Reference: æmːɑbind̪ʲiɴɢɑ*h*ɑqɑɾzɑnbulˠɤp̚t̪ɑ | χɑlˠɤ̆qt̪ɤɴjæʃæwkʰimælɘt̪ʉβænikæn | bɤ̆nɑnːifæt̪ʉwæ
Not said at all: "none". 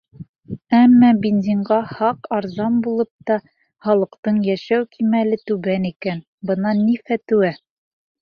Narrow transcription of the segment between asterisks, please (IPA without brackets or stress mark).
h